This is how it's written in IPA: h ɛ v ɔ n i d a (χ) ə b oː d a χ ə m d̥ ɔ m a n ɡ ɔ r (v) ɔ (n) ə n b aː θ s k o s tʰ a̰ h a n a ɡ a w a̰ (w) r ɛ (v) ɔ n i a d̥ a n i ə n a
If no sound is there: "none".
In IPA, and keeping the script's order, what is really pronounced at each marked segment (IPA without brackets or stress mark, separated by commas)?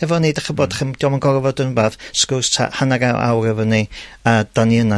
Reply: χ, v, d, w, v